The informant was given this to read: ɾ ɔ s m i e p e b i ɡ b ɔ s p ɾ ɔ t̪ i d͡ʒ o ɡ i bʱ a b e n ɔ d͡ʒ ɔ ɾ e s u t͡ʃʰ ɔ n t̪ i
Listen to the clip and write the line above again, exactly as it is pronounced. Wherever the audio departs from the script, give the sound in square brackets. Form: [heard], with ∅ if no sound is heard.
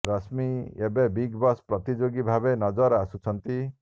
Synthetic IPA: ɾ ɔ s m i e [b] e b i ɡ b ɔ s p ɾ ɔ t̪ i d͡ʒ o ɡ i bʱ a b e n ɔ d͡ʒ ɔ ɾ [a] s u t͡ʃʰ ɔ n t̪ i